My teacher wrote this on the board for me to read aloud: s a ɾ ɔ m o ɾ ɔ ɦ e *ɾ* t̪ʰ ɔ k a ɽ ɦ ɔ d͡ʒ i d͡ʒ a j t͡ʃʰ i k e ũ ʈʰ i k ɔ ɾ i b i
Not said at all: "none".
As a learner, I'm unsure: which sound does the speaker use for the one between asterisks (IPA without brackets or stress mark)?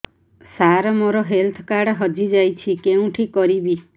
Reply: l